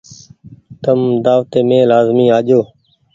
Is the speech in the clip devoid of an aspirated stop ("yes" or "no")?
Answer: yes